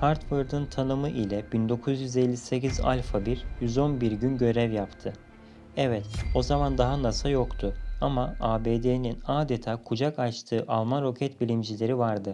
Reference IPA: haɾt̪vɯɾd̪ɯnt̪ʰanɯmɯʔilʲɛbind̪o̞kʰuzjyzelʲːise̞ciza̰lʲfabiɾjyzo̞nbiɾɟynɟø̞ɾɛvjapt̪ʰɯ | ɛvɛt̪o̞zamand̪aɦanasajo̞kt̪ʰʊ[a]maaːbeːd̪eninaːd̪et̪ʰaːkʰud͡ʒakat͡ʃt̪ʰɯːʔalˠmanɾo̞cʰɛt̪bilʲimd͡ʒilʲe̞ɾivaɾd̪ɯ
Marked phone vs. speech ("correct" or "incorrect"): correct